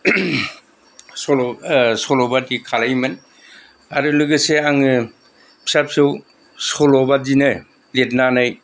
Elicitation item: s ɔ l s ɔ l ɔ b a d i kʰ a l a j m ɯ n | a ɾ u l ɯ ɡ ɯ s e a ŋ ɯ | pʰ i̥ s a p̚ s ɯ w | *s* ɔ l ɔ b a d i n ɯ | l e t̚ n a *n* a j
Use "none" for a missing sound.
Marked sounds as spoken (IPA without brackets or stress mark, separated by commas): s, n